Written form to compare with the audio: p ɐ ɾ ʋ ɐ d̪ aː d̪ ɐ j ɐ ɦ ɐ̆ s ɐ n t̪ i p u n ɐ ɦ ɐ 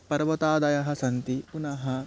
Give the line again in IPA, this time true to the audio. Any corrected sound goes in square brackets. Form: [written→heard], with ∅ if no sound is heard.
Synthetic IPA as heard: p ɐ ɾ ʋ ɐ [d̪→t̪] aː d̪ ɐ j ɐ ɦ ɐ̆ s ɐ n t̪ i p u n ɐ ɦ ɐ